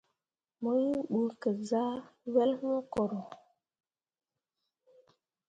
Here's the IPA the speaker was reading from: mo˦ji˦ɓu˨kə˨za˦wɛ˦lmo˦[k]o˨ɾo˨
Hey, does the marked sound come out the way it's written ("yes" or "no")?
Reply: yes